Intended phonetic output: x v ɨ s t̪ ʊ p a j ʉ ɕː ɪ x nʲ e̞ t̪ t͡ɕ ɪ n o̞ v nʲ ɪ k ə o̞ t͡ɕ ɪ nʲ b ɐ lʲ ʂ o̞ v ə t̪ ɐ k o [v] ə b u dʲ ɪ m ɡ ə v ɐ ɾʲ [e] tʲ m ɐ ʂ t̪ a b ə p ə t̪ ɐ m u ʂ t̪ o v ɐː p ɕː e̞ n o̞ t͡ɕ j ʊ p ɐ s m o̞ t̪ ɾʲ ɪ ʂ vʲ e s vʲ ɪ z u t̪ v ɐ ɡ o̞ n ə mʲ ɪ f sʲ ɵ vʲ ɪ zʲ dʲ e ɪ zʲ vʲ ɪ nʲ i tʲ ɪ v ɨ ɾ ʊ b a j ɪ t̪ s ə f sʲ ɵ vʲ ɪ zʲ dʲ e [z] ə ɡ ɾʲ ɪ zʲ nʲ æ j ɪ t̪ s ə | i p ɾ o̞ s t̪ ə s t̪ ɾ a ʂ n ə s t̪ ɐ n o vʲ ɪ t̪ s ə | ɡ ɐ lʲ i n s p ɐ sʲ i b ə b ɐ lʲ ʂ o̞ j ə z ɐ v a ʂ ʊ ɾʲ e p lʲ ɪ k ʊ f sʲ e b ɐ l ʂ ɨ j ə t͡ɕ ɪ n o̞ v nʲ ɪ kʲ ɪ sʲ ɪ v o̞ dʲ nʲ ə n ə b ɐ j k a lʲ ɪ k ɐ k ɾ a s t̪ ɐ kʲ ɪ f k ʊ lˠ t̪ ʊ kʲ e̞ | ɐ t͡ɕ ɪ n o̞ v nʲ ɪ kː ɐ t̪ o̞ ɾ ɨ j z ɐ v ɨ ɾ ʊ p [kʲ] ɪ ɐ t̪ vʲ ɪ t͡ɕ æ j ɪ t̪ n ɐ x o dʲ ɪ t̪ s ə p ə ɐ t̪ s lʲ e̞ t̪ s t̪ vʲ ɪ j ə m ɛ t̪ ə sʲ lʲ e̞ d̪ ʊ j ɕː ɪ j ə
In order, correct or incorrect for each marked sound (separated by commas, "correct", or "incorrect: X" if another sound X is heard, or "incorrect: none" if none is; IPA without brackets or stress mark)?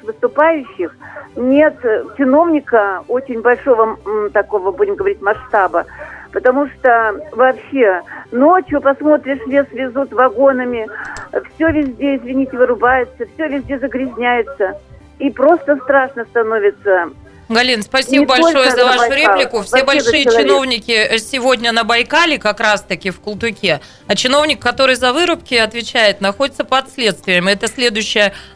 correct, incorrect: i, correct, correct